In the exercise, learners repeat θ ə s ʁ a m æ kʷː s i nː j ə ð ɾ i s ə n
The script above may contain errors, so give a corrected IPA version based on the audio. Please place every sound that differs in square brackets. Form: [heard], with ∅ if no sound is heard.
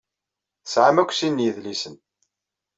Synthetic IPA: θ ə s [ʕ] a m æ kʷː s i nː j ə ð [l] i s ə n